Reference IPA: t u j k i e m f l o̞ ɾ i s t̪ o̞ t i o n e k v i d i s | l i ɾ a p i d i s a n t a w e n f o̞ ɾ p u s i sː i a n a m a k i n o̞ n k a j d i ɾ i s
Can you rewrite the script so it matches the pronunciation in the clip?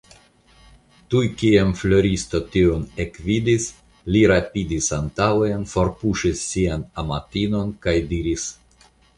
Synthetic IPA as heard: t u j k i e m f l o̞ ɾ i s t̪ o̞ t i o n e k v i d i s | l i ɾ a p i d i s a n t a w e n f o̞ ɾ p u ʃ i sː i a n a m a t i n o̞ n k a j d i ɾ i s